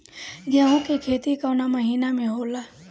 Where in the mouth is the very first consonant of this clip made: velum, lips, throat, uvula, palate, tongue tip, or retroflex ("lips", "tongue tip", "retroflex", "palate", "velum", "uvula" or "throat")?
velum